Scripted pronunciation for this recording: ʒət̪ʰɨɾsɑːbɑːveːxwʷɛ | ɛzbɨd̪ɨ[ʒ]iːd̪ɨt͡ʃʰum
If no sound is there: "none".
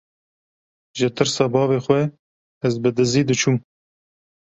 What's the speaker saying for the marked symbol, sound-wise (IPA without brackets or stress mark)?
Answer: z